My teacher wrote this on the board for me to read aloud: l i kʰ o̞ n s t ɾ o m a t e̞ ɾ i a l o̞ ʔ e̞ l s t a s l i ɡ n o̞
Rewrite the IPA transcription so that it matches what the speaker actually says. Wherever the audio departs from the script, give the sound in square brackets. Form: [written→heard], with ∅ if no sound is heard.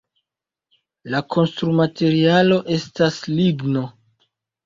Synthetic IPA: l [i→a] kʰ o̞ n s t ɾ [o→u] m a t e̞ ɾ i a l o̞ ʔ e̞ [l→∅] s t a s l i ɡ n o̞